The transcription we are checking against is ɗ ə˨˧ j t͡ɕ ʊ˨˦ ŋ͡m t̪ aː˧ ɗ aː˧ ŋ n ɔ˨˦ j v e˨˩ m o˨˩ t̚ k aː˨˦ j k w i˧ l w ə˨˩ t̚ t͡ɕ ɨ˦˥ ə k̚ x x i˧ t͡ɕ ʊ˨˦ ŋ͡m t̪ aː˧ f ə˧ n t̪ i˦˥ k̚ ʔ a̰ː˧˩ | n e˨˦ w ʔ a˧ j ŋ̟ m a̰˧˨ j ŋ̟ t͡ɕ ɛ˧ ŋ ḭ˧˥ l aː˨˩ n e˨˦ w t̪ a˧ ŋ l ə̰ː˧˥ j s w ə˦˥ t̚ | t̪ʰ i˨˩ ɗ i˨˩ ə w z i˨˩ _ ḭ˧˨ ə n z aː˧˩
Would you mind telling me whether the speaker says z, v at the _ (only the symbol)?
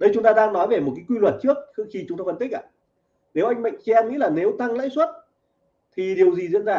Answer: z